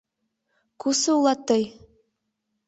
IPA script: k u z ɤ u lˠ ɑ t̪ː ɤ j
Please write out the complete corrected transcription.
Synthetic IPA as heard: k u s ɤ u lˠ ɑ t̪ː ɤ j